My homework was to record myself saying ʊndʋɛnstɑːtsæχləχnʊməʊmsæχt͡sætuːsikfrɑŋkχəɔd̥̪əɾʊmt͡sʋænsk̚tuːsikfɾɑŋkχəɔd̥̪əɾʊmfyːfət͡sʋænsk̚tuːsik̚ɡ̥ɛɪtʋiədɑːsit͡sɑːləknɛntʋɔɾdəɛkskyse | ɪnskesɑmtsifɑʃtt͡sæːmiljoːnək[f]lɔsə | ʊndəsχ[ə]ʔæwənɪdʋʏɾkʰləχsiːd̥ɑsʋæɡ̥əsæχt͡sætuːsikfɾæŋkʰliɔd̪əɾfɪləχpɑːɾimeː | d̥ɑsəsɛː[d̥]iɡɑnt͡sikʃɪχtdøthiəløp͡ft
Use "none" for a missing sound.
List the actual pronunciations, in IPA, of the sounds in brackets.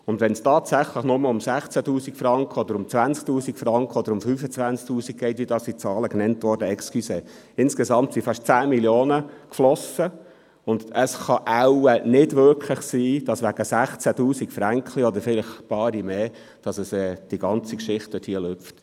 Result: f, ɑ, d̥

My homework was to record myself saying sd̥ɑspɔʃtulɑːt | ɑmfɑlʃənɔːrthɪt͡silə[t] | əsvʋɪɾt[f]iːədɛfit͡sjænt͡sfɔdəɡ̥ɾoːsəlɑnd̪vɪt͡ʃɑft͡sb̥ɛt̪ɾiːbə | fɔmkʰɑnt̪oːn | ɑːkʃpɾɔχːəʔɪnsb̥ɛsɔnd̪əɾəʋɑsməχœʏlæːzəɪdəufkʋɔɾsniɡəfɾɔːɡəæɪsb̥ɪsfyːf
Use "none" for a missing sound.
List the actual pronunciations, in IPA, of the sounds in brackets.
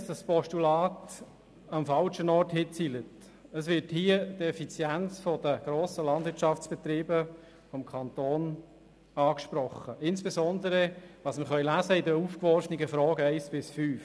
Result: t, h

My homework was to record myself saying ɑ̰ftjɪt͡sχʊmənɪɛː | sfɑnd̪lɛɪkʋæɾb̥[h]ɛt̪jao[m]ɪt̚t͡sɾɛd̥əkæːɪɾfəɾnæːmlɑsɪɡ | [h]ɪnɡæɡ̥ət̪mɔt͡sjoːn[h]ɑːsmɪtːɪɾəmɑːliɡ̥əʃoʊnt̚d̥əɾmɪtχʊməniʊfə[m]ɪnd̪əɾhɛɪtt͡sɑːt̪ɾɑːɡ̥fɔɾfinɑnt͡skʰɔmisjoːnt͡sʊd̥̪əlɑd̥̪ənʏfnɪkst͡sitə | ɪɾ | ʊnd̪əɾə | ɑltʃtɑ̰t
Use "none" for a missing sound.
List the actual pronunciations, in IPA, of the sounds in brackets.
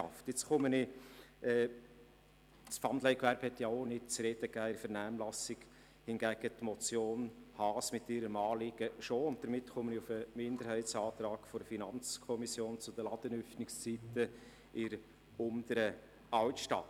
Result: h, n, h, h, m

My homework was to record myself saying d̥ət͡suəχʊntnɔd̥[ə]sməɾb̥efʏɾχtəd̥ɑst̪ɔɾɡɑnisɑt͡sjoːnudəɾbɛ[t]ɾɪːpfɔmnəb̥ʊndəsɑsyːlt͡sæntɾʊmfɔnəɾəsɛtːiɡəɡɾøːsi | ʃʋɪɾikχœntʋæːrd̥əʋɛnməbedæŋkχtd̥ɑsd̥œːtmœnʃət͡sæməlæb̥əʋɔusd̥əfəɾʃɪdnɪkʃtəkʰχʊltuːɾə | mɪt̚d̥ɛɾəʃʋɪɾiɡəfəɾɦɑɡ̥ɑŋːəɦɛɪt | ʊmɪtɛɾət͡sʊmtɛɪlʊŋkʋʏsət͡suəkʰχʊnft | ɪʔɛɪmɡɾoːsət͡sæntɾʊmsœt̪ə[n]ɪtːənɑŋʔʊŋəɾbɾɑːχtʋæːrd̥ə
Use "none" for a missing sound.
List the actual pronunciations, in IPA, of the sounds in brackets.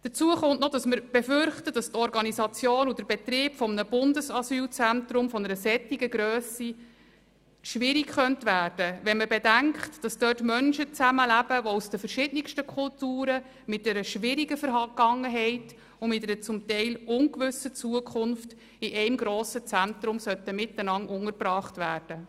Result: ɑ, t, m

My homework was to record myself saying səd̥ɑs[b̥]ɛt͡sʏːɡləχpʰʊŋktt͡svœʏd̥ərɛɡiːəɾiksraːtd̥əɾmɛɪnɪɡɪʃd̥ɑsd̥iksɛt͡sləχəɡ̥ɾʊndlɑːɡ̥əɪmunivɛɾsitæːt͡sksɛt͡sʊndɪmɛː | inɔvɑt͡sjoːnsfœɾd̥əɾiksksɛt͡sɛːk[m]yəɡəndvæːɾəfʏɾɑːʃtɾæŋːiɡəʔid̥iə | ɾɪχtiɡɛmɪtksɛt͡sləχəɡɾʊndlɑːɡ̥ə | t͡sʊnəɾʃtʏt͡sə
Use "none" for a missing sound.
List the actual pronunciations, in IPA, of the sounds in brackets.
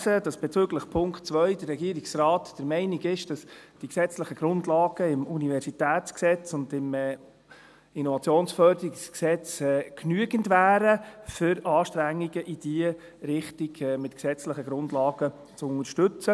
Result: b̥, n

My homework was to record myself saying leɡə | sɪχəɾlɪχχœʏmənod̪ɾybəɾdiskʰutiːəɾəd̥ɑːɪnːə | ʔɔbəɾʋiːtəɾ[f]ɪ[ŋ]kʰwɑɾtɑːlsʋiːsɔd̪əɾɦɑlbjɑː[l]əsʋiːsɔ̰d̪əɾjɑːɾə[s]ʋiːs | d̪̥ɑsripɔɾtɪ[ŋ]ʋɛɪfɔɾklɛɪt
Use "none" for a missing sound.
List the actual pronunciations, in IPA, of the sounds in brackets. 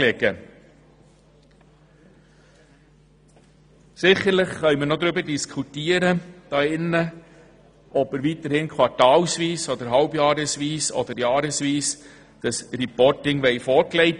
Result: h, n, ɾ, s, ŋ

